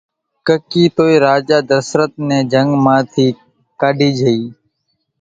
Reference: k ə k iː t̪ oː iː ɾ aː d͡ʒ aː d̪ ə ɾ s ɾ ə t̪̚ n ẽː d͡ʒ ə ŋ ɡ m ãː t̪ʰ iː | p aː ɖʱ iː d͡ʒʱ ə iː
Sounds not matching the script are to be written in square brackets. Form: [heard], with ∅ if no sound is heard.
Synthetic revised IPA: k ə k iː t̪ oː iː ɾ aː d͡ʒ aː d̪ ə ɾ s ɾ ə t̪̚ n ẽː d͡ʒ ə ŋ ɡ m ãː t̪ʰ iː | [k] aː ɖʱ iː d͡ʒʱ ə iː